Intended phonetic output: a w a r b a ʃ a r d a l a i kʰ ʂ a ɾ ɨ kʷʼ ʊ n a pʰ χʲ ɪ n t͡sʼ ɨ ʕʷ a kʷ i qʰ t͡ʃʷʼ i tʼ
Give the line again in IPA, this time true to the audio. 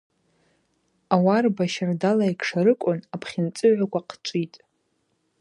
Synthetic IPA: a w a r b a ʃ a r d a l a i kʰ ʂ a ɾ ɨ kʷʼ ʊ n a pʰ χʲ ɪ n t͡sʼ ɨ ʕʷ a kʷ a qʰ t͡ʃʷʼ i tʼ

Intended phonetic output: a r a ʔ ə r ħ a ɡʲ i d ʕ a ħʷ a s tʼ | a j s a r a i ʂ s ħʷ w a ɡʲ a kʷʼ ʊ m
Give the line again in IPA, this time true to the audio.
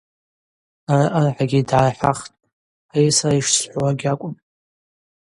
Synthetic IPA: a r a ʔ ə r ħ a ɡʲ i d ʕ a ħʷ a χ tʼ | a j s a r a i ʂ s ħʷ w a ɡʲ a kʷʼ ʊ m

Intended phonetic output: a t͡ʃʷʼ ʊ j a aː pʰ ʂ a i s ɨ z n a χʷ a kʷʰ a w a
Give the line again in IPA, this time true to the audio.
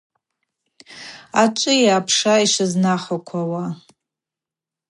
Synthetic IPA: a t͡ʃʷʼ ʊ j a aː pʰ ʂ a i ʂ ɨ z n a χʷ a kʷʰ a w a

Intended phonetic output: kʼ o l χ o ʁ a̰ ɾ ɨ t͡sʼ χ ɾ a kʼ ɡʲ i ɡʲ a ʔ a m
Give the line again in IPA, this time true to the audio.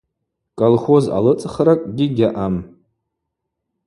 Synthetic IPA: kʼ o l χ o z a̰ l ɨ t͡sʼ χ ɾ a kʼ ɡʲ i ɡʲ a ʔ a m

